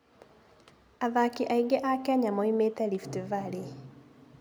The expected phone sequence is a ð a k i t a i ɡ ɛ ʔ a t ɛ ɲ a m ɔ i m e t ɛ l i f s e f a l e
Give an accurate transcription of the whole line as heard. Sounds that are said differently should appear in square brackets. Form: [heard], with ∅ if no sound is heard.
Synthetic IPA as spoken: a ð a k i [ʔ] a i ɡ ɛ ʔ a [k] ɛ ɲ a m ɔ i m e t ɛ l i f [t] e [v] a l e